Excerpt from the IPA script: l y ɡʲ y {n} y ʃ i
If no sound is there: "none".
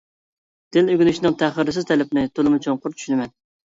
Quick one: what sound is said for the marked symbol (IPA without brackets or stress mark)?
n